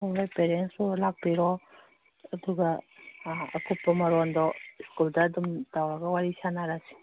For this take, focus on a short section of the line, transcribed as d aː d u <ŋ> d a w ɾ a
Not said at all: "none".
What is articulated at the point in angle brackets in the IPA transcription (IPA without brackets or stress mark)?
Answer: m